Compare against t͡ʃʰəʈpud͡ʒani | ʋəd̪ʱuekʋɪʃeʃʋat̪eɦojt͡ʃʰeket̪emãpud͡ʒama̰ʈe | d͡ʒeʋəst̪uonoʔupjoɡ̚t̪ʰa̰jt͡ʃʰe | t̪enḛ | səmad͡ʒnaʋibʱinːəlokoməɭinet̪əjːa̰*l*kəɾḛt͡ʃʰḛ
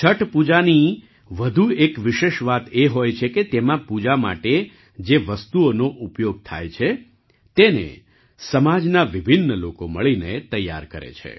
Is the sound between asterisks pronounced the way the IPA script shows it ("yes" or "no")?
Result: no